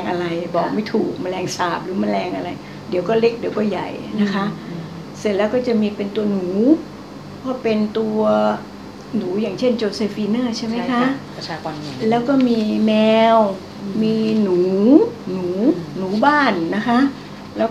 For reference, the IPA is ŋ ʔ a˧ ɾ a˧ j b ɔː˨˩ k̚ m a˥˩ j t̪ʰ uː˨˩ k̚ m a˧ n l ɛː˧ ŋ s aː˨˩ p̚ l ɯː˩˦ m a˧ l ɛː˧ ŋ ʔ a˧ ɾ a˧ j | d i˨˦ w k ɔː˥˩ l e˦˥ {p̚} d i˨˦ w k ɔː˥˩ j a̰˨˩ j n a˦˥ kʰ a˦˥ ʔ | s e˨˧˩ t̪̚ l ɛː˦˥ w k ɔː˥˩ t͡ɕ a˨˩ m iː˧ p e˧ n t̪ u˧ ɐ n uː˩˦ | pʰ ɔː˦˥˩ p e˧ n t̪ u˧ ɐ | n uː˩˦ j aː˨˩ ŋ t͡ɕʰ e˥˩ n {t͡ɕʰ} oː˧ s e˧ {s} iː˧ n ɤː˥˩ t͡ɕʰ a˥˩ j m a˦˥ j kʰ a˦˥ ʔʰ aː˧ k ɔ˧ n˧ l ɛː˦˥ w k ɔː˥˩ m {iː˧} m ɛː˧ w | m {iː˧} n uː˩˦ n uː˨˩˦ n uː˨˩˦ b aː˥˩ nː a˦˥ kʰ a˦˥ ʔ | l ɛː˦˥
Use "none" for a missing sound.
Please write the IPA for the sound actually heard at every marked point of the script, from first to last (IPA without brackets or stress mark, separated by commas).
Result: k̚, t͡ɕ, f, iː˧, iː˧